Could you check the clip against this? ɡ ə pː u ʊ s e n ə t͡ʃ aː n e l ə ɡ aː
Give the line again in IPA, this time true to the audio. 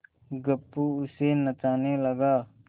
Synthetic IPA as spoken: ɡ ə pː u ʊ s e n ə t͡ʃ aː n e l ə ɡ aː